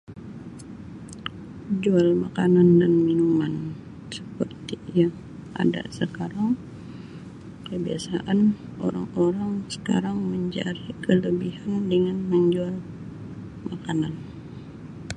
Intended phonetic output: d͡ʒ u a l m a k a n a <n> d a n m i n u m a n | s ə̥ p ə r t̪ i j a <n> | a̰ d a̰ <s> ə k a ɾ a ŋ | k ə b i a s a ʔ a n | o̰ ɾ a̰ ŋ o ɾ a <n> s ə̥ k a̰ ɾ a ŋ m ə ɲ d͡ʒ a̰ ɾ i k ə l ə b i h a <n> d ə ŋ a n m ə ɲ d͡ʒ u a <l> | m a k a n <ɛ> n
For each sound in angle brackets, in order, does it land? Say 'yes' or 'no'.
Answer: yes, no, yes, no, yes, yes, no

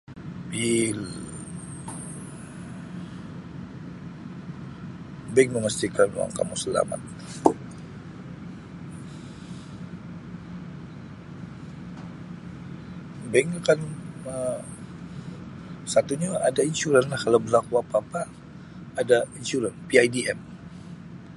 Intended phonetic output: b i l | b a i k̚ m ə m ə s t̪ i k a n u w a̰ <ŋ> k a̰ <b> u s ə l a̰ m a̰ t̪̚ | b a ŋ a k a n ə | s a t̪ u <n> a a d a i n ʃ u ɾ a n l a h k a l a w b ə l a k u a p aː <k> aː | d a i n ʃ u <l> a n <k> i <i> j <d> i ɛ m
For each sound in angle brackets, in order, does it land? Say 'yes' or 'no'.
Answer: yes, no, no, no, no, no, no, yes

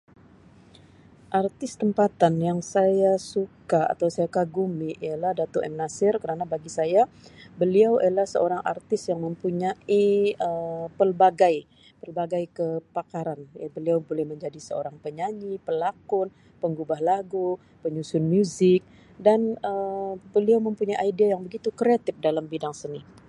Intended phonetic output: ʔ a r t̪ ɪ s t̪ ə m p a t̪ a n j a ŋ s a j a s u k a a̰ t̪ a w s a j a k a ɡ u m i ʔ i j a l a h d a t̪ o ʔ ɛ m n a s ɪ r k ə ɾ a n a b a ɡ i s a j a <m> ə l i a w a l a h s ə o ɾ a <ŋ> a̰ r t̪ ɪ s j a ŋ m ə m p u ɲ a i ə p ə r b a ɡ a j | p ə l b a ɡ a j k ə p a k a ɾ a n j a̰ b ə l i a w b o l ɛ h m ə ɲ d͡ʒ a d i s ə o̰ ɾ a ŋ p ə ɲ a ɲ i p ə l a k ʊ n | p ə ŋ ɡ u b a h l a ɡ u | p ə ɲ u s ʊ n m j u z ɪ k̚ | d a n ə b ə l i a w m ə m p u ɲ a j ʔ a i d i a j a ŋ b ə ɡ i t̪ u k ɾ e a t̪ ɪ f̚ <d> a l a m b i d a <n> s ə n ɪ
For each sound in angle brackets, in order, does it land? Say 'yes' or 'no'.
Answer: no, yes, yes, no

